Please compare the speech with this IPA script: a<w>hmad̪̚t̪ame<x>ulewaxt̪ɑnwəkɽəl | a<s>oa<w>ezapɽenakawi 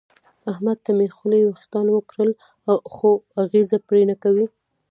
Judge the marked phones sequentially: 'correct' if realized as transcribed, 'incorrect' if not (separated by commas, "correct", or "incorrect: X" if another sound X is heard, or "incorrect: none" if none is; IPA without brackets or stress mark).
incorrect: none, correct, incorrect: x, incorrect: ɣ